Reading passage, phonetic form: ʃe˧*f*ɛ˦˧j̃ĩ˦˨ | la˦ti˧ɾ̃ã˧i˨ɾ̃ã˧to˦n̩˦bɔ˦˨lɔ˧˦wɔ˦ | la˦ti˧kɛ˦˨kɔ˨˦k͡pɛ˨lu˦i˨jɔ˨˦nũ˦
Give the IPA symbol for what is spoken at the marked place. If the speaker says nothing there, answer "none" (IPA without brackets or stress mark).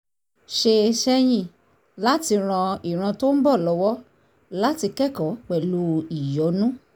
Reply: ʃ